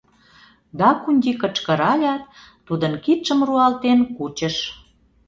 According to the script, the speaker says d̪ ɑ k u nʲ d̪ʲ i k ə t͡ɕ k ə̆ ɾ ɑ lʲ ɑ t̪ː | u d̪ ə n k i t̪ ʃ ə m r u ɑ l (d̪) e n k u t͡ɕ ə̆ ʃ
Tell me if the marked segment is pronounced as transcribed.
no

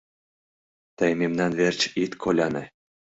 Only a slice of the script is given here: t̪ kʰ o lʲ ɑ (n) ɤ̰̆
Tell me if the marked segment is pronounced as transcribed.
yes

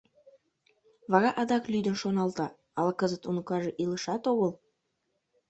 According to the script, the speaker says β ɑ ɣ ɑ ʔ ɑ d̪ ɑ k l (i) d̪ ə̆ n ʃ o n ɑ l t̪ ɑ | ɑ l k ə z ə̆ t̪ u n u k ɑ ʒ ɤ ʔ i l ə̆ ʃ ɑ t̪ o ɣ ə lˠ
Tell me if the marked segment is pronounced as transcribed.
no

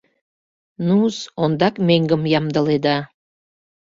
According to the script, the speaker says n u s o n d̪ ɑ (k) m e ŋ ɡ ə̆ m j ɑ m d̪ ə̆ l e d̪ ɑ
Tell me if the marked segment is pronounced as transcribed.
yes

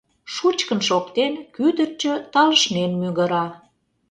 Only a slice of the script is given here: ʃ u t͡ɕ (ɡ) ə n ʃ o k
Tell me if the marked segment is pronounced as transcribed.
no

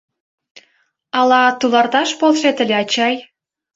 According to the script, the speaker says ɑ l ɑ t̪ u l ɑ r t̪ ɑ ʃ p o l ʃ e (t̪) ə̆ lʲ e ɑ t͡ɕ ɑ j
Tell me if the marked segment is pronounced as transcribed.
yes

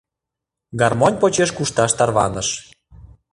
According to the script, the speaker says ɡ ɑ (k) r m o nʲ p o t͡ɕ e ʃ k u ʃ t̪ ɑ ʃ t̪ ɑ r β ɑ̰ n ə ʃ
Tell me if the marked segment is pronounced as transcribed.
no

